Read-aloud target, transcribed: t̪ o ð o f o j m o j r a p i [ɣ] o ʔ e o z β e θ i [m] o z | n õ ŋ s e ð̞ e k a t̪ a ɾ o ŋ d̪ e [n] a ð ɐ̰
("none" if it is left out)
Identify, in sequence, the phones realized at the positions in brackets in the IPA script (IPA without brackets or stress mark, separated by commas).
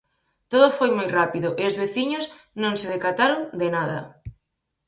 ð, ɲ, n